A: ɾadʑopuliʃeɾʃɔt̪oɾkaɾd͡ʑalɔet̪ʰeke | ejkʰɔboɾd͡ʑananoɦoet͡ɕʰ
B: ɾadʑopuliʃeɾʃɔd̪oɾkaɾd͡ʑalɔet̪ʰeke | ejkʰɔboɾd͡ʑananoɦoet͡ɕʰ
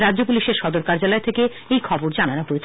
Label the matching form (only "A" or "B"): B